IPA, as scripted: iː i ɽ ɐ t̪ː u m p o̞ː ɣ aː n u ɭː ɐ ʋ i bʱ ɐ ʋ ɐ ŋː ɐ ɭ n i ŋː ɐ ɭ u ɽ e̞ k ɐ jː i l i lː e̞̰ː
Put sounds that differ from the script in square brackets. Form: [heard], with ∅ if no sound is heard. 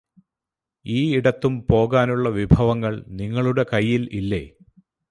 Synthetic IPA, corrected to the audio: iː i ɽ ɐ t̪ː u m p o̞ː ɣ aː n u ɭː ɐ ʋ i bʱ ɐ ʋ ɐ ŋː ɐ ɭ n i ŋː ɐ ɭ u ɽ e̞ k ɐ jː i l i lː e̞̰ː